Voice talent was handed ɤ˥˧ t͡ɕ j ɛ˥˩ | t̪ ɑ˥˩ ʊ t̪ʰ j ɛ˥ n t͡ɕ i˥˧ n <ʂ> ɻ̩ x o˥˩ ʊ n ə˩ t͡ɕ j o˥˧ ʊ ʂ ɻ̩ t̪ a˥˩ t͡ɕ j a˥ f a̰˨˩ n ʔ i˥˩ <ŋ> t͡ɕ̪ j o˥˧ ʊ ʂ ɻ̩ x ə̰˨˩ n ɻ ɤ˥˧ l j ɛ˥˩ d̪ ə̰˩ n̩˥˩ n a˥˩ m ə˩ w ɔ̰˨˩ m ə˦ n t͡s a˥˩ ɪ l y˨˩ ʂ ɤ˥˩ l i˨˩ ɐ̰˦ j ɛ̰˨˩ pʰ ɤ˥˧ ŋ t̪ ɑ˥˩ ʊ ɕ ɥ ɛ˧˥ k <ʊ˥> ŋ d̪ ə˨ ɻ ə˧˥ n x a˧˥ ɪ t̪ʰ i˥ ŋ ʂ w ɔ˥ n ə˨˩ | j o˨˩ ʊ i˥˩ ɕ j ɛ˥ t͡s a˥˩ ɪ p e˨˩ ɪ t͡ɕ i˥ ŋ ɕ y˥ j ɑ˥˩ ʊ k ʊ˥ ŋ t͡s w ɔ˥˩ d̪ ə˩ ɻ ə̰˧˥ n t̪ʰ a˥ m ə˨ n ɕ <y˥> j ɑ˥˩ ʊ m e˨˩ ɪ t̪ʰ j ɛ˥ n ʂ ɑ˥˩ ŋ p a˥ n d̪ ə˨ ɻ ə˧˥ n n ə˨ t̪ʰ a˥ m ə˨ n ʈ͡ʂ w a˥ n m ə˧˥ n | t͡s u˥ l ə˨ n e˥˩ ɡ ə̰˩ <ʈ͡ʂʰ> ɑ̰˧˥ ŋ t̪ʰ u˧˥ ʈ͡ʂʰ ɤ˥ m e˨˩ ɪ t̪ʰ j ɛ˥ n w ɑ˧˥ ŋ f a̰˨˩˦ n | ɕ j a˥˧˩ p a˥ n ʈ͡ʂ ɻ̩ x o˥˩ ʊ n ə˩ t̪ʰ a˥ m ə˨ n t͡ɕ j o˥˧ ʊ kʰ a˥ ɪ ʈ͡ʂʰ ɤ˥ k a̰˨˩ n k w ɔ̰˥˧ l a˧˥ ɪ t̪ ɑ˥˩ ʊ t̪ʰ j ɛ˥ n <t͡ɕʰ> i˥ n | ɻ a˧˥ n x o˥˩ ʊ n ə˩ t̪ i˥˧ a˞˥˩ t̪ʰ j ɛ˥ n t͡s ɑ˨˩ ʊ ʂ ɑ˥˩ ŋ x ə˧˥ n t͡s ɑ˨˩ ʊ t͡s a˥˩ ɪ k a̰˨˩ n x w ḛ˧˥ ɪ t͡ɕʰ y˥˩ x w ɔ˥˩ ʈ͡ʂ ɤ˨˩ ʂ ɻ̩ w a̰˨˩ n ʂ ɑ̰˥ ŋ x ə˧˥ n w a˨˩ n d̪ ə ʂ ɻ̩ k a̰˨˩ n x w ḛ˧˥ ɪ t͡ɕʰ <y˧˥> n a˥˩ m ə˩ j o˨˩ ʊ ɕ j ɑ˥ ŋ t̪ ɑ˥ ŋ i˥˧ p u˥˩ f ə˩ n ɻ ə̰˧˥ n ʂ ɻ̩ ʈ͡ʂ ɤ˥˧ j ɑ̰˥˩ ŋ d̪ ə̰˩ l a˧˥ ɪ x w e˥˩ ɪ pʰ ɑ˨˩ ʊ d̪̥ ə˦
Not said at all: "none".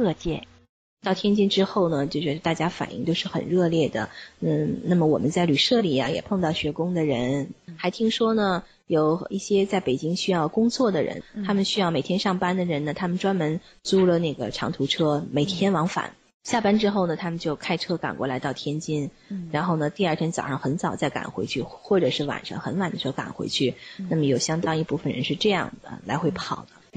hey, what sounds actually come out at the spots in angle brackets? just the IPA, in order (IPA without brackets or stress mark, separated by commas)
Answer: ʈ͡ʂ, ŋ, ʊ˥, y˥, ʈ͡ʂʰ, t͡ɕ, y˥˩